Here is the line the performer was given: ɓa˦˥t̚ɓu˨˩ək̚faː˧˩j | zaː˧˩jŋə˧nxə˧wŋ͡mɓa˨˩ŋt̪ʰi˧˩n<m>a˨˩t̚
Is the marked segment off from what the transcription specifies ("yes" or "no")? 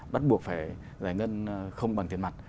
no